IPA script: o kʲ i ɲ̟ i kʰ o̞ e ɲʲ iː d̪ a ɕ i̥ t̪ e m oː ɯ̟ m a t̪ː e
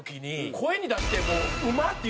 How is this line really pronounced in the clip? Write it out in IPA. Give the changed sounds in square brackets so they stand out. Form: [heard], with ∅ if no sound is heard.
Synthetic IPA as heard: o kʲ i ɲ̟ i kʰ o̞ e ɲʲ [i] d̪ a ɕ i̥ t̪ e m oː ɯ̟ m a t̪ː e